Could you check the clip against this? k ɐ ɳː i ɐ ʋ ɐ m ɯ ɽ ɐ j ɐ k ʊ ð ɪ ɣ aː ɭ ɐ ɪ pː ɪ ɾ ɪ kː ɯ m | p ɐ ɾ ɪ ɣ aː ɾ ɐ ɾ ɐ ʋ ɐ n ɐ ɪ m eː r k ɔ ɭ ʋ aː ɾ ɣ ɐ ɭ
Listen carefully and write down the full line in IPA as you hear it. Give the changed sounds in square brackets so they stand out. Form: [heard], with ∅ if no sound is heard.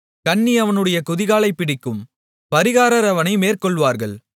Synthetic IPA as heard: k ɐ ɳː i ɐ ʋ ɐ [n] ɯ ɽ ɐ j ɐ k ʊ ð ɪ ɣ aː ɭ ɐ ɪ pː ɪ [ɽ] ɪ kː ɯ m | p ɐ ɾ ɪ ɣ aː ɾ ɐ ɾ ɐ ʋ ɐ n ɐ ɪ m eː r k ɔ ɭ ʋ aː ɾ ɣ ɐ ɭ